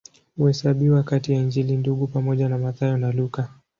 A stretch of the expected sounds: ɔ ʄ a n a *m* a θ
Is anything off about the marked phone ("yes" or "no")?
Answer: no